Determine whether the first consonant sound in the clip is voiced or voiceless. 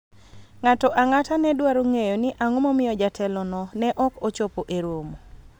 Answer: voiced